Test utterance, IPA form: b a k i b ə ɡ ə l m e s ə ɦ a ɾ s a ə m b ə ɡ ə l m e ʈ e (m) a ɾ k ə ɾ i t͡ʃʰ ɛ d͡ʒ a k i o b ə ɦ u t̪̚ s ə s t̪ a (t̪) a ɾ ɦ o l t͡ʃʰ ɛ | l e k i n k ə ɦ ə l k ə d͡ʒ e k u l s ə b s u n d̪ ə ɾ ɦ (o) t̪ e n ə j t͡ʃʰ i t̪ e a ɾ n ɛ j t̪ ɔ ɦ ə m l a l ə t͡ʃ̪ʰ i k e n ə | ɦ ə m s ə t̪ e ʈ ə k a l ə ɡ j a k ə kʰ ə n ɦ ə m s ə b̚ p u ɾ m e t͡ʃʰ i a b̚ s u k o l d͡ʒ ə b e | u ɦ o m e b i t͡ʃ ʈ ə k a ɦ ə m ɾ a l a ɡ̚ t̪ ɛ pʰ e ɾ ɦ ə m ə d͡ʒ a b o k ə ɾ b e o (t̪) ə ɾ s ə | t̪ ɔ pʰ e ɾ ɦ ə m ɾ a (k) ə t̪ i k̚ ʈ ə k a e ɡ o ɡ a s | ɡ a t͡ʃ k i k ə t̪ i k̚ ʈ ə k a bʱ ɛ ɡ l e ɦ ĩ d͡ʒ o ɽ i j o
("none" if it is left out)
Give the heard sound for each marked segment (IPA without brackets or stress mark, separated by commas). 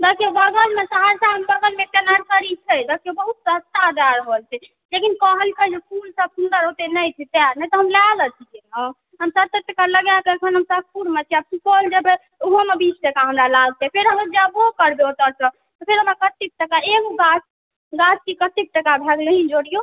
n, d̪, o, t̪, k